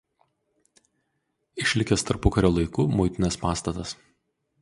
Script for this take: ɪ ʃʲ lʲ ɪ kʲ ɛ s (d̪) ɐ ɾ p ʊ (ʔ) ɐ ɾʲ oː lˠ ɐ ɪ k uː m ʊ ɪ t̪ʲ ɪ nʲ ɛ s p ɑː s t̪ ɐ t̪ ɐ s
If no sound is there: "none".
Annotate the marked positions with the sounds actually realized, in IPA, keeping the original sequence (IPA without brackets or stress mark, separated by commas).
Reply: t̪, k